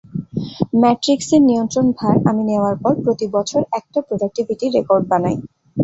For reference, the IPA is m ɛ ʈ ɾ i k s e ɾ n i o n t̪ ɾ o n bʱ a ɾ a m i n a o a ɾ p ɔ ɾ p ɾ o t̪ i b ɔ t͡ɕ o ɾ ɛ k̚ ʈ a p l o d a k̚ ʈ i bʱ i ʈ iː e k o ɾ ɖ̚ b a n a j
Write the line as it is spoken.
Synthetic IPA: m ɛ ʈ ɾ i k s e ɾ n i o n t̪ ɾ o n bʱ a ɾ a m i n e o a ɾ p ɔ ɾ p ɾ o t̪ i b ɔ t͡ɕʰ o ɾ ɛ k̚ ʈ a p ɾ o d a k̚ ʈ i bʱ i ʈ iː e k o ɾ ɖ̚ b a n a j